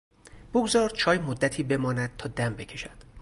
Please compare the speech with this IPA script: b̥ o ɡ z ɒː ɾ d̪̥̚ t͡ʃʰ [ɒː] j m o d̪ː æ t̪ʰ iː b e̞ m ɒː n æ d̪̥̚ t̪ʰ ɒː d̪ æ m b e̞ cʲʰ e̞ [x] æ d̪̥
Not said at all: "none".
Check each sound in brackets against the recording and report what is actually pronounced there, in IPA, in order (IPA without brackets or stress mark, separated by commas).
ɒː, ʃ